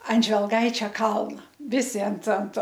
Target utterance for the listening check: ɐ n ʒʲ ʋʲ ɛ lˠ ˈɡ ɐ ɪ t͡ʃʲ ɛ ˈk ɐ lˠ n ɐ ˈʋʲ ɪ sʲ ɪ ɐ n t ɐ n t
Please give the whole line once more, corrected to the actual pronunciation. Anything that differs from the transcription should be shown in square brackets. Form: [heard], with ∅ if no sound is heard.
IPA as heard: ɐ n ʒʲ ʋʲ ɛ lˠ ˈɡ ɐ ɪ t͡ʃʲ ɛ ˈk ɐ lˠ n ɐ ˈʋʲ ɪ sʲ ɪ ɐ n t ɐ n t